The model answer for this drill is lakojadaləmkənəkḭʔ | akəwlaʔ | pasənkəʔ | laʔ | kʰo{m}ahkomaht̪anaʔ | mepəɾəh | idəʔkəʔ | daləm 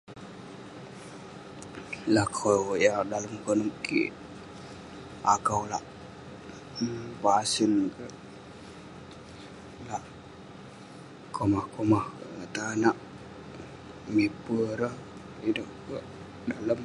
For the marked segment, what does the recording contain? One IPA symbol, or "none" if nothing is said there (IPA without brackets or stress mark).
m